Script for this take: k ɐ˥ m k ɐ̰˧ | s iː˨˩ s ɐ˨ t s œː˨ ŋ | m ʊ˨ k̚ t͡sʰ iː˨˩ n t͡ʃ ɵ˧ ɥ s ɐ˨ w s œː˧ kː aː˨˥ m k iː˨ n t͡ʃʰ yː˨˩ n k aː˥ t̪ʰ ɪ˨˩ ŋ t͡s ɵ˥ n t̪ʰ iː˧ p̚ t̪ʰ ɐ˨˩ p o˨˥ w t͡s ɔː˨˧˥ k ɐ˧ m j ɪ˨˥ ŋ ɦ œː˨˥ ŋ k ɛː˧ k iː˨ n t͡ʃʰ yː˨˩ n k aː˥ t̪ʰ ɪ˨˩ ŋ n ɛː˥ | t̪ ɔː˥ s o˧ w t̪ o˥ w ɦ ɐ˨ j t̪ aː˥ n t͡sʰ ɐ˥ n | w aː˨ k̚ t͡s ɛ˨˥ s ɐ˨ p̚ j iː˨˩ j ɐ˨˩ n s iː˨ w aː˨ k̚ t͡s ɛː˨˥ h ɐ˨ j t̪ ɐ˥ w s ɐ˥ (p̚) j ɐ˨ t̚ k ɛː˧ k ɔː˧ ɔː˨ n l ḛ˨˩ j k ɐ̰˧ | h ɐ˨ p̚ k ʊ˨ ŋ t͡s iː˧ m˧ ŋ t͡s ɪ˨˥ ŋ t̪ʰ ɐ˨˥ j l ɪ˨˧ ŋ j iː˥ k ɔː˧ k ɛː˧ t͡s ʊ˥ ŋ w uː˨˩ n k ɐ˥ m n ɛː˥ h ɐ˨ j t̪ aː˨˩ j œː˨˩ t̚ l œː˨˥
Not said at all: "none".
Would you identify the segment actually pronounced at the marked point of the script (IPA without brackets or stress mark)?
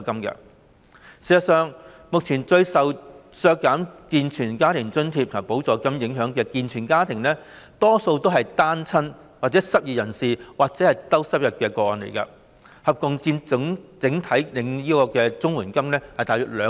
p̚